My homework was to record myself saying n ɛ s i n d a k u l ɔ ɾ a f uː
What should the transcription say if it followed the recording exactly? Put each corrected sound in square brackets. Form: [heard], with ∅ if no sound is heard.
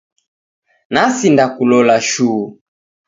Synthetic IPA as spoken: n [a] s i n d a k u l ɔ [l] a [ʃ] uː